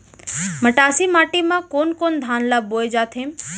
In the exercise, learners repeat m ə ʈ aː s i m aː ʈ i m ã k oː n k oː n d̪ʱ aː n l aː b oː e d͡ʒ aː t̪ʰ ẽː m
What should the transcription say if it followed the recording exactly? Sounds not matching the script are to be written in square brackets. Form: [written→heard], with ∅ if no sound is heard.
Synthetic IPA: m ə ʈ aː s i m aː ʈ i m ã k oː n k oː n d̪ʱ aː n l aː b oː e d͡ʒ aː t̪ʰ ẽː m